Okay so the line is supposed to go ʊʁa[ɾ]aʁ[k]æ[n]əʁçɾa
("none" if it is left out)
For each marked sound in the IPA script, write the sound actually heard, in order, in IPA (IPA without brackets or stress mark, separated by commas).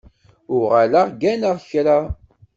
l, ɡ, n